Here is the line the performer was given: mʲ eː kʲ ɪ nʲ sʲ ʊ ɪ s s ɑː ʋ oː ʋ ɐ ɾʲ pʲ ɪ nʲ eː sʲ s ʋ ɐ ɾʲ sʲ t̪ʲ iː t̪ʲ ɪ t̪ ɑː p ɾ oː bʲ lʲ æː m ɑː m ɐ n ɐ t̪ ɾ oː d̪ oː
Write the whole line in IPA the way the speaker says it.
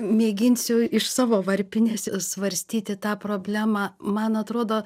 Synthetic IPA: mʲ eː ɡʲ ɪ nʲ sʲ ʊ ɪ ʃ s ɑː ʋ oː ʋ ɐ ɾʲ pʲ ɪ nʲ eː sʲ s ʋ ɐ ɾʲ sʲ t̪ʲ iː t̪ʲ ɪ t̪ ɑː p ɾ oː bʲ lʲ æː m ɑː m ɐ n ɐ t̪ ɾ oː d̪ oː